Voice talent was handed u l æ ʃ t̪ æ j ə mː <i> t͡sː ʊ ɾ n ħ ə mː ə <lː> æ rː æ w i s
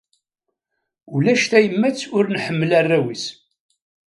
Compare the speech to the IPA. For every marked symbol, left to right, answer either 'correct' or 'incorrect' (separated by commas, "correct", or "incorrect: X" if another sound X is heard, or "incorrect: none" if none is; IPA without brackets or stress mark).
incorrect: æ, incorrect: l